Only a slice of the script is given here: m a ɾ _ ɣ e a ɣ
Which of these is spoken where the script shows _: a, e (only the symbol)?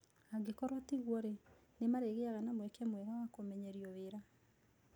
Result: e